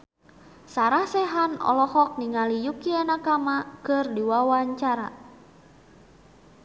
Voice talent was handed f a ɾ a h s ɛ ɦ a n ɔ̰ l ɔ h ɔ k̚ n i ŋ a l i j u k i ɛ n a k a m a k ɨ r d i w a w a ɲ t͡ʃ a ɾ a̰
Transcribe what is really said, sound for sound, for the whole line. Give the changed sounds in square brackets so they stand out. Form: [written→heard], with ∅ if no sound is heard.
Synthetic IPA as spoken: [f→s] a ɾ a h s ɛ ɦ a n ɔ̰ l ɔ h ɔ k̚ n i ŋ a l i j u k i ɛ n a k a m a k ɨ r d i w a w a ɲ t͡ʃ a ɾ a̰